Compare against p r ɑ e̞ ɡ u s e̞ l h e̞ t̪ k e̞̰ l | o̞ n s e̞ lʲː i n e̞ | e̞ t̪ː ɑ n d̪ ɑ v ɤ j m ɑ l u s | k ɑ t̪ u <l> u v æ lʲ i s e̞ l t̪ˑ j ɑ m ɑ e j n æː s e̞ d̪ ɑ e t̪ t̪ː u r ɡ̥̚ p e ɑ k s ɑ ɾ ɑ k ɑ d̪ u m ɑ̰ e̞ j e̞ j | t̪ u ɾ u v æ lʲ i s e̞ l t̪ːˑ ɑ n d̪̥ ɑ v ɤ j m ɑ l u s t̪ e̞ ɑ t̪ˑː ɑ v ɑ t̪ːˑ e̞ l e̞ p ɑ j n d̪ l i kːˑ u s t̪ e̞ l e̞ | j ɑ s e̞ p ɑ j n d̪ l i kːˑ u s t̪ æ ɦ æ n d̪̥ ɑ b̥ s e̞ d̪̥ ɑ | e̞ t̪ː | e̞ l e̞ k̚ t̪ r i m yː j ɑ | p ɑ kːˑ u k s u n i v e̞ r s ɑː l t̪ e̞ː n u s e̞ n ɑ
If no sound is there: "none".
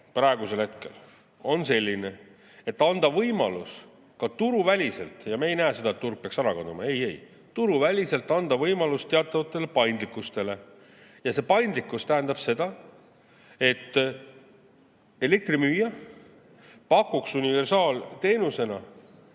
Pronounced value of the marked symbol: ɾ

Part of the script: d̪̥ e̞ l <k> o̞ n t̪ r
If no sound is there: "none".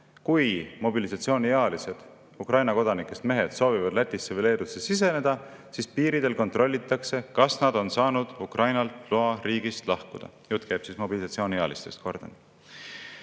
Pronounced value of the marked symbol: k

